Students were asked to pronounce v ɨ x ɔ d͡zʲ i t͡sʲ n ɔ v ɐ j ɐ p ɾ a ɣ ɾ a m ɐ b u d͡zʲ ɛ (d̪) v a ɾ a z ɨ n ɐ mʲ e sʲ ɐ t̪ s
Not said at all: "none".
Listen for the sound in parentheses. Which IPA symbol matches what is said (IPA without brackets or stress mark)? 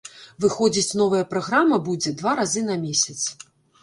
d̪